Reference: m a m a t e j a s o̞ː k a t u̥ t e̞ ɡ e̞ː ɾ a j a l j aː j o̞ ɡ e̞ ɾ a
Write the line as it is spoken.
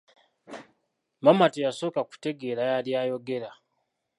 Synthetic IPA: m a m a t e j a s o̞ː k a k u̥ t e̞ ɡ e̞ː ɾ a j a l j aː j o̞ ɡ e̞ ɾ a